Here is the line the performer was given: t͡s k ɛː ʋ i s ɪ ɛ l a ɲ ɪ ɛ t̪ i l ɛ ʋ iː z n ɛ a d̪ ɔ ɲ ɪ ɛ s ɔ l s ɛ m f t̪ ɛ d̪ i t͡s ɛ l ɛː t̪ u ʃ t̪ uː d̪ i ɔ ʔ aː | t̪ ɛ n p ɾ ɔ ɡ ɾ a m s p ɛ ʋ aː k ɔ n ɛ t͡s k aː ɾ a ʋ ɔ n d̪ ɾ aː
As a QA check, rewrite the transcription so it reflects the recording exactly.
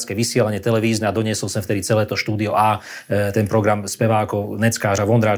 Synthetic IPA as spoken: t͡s k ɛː ʋ i s ɪ ɛ l a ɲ ɪ ɛ t̪ ɛ l ɛ ʋ iː z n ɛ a d̪ ɔ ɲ ɪ ɛ s ɔ l s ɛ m f t̪ ɛ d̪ i t͡s ɛ l ɛː t̪ ɔ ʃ t̪ uː d̪ i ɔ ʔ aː | t̪ ɛ n p ɾ ɔ ɡ ɾ a m s p ɛ ʋ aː k ɔ n ɛ t͡s k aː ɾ a ʋ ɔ n d̪ ɾ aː